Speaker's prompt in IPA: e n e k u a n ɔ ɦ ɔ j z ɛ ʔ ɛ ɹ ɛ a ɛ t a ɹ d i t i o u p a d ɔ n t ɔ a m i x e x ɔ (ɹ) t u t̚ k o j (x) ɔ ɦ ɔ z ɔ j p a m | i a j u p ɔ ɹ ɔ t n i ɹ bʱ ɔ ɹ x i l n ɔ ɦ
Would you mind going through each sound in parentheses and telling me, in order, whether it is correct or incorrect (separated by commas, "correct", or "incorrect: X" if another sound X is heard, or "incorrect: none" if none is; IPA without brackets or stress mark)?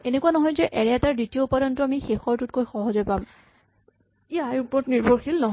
correct, correct